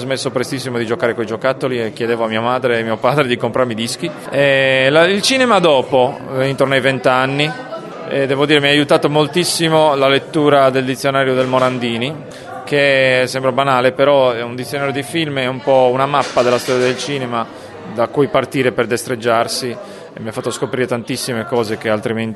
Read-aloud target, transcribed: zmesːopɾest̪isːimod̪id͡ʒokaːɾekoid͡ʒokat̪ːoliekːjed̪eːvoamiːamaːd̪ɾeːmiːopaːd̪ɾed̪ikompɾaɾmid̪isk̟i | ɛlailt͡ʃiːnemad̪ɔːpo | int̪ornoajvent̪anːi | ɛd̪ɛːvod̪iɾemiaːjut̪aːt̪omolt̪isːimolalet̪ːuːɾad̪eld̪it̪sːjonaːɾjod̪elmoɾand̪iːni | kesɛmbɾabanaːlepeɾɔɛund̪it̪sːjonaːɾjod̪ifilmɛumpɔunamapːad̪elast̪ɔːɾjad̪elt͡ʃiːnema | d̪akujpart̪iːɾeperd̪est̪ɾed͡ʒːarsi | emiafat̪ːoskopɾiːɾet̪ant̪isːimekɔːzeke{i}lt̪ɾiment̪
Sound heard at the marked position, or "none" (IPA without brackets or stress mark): a